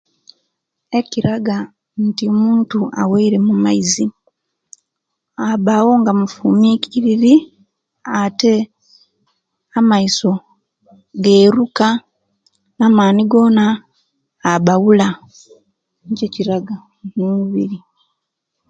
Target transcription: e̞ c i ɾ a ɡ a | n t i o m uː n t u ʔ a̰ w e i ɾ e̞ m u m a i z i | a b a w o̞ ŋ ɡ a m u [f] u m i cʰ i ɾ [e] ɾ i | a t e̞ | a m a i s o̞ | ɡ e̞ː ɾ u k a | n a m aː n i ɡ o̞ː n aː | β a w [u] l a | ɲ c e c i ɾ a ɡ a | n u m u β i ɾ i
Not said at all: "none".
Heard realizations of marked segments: f, i, u

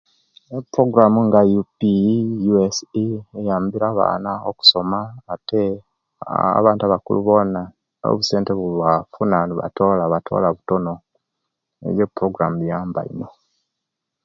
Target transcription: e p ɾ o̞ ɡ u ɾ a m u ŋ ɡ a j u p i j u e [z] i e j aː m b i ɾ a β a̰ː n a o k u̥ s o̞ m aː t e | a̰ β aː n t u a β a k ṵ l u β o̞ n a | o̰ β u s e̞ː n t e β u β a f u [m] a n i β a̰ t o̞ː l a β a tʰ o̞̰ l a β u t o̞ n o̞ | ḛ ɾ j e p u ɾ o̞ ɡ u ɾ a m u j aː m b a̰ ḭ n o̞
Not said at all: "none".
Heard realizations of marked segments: s, n

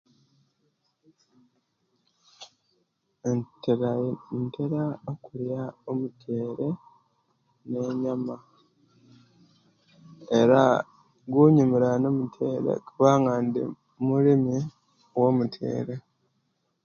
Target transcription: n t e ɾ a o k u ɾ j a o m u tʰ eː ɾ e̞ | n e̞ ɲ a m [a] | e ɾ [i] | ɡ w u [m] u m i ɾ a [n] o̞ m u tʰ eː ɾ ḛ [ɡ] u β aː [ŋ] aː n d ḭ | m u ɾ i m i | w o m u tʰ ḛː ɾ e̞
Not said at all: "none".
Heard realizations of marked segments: a, a, ɲ, n, k, ŋ

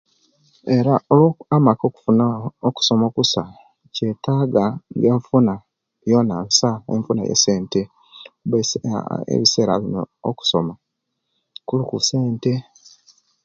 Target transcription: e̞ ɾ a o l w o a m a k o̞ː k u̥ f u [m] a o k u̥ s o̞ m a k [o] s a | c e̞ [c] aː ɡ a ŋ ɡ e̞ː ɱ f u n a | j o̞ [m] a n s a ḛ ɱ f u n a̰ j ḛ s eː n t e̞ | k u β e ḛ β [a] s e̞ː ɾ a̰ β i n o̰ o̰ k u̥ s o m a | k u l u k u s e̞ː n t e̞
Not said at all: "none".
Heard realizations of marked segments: n, u, t, n, i

